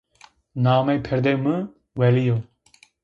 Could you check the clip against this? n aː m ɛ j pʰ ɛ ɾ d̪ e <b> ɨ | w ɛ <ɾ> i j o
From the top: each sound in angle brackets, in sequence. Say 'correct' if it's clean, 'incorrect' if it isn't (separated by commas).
incorrect, incorrect